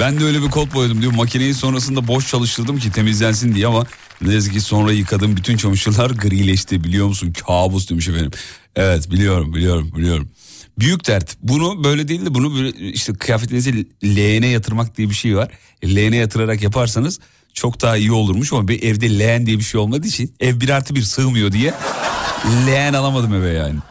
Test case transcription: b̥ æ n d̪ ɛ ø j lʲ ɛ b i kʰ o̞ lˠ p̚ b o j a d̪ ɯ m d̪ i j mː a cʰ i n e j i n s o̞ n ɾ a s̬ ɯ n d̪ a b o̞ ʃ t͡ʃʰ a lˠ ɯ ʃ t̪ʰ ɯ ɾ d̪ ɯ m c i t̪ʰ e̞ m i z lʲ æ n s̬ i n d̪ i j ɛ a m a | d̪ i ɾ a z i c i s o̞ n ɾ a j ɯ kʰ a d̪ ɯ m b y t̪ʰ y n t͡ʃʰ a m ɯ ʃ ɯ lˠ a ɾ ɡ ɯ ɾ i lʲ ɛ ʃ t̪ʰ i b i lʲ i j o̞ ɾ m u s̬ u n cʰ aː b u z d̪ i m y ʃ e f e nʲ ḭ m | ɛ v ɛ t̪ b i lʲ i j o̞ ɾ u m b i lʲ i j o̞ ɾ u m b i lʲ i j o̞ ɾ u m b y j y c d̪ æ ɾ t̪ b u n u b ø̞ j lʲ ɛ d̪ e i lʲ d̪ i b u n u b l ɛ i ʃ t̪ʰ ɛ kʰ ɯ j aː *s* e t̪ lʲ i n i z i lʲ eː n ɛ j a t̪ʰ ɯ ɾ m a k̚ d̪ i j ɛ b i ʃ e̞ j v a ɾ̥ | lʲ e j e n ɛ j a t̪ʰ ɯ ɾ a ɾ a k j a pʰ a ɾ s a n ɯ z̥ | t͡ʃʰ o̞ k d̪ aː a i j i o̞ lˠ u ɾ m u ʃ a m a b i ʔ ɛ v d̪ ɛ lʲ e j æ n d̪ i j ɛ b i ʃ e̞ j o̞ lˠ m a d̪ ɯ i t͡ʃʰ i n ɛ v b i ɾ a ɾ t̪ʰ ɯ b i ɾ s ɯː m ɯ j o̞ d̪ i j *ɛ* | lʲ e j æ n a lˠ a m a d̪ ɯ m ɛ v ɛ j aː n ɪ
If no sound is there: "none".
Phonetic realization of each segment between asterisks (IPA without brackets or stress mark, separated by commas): f, ɛ